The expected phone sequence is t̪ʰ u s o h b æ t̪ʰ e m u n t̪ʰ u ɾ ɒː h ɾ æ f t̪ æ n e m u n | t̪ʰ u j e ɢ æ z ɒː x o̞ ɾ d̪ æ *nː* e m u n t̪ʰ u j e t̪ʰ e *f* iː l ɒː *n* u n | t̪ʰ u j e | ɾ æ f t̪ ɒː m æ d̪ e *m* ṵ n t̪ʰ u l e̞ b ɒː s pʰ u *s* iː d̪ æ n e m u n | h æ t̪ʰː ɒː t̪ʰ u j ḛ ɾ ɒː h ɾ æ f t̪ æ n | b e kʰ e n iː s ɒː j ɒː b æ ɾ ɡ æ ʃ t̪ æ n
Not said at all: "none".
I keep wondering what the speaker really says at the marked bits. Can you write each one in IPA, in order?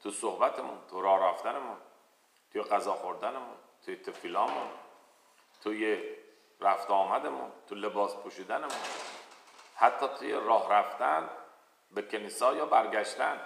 n, f, m, m, ʃ

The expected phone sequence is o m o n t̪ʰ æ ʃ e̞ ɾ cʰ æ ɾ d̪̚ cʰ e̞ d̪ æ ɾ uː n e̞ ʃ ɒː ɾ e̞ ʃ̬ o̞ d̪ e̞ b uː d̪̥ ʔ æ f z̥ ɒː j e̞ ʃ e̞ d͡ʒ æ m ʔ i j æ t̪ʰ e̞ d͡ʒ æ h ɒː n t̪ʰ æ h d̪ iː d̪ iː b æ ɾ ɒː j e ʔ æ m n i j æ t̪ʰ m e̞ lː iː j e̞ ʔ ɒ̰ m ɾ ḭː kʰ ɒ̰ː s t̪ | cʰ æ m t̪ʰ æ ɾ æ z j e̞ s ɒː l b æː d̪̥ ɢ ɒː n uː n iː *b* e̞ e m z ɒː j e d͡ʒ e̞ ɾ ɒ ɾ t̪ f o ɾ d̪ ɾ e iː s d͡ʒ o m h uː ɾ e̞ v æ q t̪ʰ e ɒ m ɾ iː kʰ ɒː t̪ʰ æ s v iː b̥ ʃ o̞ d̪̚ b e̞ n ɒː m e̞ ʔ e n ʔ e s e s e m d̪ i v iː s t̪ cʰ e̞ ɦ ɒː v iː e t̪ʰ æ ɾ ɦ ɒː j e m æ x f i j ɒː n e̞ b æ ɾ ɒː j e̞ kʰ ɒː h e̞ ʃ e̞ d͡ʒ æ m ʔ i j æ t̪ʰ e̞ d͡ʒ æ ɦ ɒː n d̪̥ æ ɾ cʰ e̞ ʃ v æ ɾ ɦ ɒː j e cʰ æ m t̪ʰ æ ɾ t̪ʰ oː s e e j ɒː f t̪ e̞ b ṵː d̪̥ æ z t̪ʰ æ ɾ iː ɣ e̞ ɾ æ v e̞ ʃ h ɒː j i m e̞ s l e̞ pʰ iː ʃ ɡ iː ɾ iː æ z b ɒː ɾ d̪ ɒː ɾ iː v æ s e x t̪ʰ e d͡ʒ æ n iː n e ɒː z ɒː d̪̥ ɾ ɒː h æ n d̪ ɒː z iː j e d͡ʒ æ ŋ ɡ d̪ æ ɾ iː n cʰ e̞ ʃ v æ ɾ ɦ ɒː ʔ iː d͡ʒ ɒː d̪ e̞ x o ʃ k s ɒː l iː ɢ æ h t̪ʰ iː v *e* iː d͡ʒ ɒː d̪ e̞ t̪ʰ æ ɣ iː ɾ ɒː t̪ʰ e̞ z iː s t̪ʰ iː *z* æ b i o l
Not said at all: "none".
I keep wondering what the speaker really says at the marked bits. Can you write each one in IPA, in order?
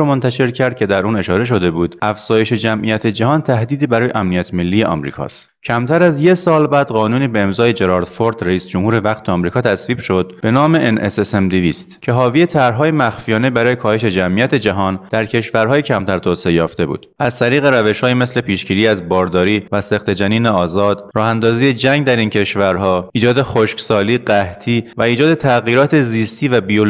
b, æ, v

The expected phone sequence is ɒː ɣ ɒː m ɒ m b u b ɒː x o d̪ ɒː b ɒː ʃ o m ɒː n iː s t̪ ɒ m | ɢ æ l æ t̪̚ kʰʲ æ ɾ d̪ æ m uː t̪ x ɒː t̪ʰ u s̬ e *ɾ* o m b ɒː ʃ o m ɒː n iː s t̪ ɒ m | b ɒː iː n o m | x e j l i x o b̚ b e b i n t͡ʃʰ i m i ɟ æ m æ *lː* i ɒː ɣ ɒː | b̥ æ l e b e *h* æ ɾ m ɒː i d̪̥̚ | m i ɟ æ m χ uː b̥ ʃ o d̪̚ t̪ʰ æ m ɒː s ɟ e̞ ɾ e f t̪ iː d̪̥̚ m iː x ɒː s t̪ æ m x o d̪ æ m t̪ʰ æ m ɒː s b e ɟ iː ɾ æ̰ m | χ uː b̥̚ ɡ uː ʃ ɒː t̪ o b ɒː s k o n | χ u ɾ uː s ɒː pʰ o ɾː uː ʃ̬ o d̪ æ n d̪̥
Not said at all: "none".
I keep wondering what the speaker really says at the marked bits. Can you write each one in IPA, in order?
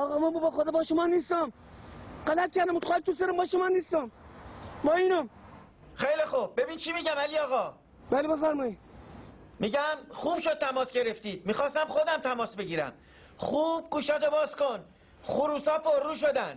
ɾ, l, f

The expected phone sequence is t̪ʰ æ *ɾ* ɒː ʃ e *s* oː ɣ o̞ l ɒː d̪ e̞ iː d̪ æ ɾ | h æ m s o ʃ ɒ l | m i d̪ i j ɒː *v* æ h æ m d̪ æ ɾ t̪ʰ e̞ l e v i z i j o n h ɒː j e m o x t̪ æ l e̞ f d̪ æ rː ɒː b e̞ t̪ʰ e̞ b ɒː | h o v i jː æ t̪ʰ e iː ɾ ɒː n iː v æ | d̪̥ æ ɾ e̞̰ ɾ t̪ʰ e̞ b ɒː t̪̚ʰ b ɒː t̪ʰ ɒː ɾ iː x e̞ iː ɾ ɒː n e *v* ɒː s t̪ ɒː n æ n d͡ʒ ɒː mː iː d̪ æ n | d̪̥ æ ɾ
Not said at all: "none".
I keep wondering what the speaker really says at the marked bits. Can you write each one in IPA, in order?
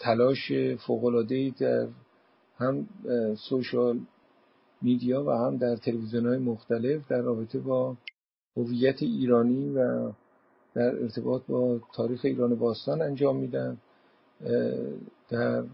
l, f, v, b

